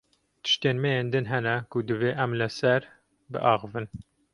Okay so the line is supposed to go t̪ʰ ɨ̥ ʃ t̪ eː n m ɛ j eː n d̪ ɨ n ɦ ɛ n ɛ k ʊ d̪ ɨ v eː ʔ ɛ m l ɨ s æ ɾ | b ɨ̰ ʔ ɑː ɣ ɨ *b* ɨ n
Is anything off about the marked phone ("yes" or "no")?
yes